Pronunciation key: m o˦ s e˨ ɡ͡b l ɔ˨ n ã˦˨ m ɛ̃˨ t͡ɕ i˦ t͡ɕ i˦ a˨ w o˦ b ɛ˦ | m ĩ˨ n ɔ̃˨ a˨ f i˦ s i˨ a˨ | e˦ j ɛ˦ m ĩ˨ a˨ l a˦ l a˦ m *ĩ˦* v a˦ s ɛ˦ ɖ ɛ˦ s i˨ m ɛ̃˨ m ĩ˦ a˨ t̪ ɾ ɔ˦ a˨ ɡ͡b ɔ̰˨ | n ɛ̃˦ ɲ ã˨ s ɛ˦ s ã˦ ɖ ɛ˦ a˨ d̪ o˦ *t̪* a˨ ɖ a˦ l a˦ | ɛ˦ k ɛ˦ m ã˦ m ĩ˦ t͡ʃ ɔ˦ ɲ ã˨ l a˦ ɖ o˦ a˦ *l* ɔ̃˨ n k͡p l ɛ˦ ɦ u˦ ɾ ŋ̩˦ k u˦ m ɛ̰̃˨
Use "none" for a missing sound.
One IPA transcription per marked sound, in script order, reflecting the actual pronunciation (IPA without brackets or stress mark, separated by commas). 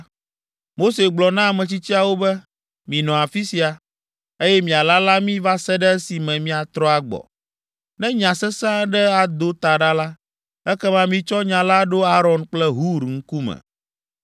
ĩ˦, t̪, ɾ